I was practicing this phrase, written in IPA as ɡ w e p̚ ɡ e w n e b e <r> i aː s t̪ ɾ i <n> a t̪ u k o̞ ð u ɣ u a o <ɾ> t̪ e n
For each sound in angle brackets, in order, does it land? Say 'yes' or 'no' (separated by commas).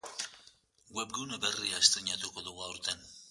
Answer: yes, no, yes